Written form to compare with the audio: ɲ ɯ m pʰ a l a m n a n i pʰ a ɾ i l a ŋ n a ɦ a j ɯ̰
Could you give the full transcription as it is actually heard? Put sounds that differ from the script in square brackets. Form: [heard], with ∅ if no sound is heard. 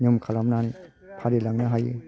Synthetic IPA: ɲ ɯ m [kʰ] a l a m n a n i pʰ a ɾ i l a ŋ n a ɦ a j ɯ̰